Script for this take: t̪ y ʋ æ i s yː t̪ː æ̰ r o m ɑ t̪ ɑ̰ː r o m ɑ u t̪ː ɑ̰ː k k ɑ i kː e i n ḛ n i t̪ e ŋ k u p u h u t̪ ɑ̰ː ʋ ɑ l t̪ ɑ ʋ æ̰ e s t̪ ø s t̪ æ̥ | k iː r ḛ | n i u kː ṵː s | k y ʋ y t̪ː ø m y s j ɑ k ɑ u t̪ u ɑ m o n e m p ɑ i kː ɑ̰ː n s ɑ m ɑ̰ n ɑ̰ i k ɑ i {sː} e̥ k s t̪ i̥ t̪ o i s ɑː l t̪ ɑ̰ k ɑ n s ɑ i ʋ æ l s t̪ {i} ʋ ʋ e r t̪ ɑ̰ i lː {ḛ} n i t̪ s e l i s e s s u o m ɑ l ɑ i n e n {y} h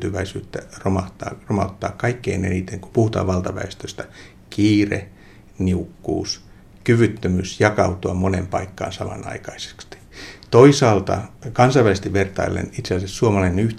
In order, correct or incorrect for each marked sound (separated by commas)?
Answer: incorrect, correct, correct, correct